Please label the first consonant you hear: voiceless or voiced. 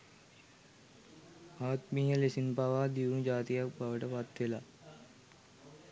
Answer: voiceless